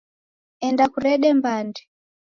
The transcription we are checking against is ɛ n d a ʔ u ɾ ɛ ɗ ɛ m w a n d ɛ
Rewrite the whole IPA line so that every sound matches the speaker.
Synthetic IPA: ɛ n d a k u ɾ ɛ ɗ ɛ m b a n d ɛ